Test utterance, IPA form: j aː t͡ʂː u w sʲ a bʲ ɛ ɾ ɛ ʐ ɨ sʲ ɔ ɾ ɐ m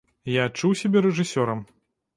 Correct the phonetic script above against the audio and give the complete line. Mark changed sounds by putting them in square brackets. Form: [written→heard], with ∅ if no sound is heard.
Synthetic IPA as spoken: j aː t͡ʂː u w sʲ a bʲ ɛ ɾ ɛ ʐ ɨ sʲ ɔ ɾ ɐ m